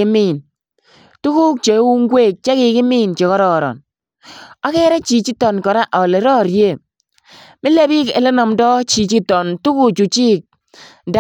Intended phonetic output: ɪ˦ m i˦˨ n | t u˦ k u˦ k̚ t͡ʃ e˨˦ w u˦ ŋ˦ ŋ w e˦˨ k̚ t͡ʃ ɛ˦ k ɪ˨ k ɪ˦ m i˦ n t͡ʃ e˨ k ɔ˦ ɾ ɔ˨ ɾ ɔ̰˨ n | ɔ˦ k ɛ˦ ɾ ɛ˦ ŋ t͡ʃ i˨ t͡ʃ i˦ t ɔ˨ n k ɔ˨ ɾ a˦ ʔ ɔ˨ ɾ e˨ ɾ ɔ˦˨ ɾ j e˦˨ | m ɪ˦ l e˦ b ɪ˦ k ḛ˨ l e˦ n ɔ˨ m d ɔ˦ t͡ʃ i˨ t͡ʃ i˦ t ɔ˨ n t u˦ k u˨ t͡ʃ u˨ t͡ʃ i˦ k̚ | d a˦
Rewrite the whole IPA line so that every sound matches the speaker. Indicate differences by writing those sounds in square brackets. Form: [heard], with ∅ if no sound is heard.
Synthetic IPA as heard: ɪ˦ m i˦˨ n | t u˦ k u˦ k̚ t͡ʃ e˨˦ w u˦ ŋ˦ [ɡ] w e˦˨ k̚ t͡ʃ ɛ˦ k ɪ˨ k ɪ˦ m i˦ n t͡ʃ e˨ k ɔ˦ ɾ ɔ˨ ɾ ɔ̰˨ n | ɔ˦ k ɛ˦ ɾ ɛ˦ [∅] t͡ʃ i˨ t͡ʃ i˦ t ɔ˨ n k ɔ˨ ɾ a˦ ʔ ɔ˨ [l] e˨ ɾ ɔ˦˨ ɾ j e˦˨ | m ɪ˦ l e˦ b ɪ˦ k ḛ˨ l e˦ n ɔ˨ m d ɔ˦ t͡ʃ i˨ t͡ʃ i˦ t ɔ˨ n t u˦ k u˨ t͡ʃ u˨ t͡ʃ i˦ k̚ | d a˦